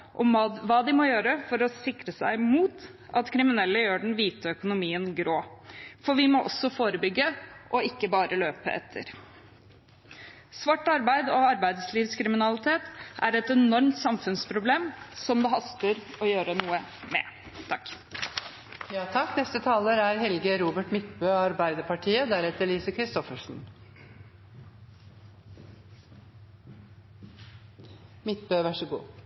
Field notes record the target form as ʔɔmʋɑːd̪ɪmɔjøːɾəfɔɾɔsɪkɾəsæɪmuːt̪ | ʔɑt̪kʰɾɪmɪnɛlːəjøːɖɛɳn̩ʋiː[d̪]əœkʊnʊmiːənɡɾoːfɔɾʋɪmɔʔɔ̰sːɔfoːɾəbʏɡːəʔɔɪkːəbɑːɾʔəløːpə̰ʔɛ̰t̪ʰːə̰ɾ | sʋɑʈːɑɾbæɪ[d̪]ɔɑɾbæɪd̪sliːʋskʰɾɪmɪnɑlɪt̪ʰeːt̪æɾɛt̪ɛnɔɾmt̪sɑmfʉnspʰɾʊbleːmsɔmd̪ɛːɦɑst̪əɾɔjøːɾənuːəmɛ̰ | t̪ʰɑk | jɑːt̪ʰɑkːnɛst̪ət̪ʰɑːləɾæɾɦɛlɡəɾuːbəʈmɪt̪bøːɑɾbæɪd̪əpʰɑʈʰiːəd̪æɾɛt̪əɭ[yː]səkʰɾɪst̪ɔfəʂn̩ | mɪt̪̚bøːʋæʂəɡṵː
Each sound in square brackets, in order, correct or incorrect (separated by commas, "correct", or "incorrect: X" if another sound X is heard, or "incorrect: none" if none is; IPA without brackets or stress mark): incorrect: t̪, correct, incorrect: iː